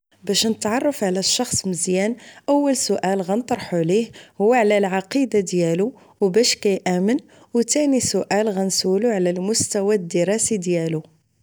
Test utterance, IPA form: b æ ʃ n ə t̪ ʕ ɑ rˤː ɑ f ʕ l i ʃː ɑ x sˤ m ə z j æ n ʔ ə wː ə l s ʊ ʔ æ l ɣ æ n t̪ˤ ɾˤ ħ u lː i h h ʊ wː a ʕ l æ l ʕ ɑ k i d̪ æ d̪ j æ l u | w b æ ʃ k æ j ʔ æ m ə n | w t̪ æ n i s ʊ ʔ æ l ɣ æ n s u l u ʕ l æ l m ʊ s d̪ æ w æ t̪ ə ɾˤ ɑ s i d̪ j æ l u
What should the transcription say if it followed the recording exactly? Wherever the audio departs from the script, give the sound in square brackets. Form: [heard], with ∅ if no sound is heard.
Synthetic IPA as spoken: b æ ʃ n ə t̪ ʕ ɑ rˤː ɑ f ʕ l [æ] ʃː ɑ x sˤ m ə z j æ n ʔ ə wː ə l s ʊ ʔ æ l ɣ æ n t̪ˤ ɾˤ ħ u [l] i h h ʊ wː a ʕ l æ l ʕ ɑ [q] i d̪ [a] d̪ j æ l u | w b æ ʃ k æ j ʔ æ m ə n | w t̪ æ n i s ʊ ʔ æ l ɣ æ n s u l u ʕ l æ l m ʊ s [t̪] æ w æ [d̪] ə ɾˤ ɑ s i d̪ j æ l u

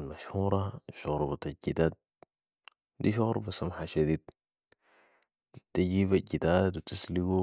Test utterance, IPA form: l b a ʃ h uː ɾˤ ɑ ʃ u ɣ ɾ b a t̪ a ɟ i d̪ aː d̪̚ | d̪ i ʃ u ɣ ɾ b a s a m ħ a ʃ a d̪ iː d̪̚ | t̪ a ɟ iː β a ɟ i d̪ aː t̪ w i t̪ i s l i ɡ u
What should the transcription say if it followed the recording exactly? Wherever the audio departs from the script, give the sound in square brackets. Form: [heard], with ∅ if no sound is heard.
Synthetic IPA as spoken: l [m] a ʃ h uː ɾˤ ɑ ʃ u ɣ ɾ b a t̪ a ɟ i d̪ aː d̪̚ | d̪ i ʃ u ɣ ɾ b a s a m ħ a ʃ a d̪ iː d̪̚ | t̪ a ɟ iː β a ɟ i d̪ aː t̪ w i t̪ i s l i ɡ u

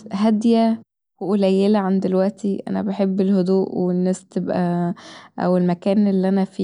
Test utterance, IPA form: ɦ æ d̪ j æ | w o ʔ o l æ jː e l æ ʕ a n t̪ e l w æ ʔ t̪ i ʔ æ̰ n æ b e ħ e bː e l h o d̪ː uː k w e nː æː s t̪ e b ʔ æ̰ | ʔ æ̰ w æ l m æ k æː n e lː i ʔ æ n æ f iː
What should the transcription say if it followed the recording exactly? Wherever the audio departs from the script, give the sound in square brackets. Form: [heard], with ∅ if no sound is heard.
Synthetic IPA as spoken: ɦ æ d̪ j æ | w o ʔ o l æ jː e l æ ʕ a n [d̪] e l w æ ʔ t̪ i ʔ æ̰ n æ b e ħ e bː e l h o [d̪] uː [ʔ] w e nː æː s t̪ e b ʔ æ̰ | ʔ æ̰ w [e] l m æ k æː n e lː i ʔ æ n æ f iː

